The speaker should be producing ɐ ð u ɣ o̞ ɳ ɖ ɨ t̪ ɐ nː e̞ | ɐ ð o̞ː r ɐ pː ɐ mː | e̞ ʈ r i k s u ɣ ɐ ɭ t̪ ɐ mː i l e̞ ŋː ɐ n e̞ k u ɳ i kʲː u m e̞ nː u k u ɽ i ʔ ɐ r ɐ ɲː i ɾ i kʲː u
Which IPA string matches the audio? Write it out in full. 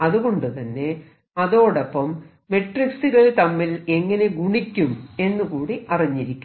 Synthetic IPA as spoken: ɐ ð u ɣ o̞ ɳ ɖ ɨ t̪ ɐ nː e̞ | ɐ ð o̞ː ɽ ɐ pː ɐ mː | e̞ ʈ r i k s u ɣ ɐ ɭ t̪ ɐ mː i l e̞ ŋː ɐ n e̞ ɡ u ɳ i kʲː u m e̞ nː u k uː ɽ i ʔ ɐ r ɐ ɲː i ɾ i kʲː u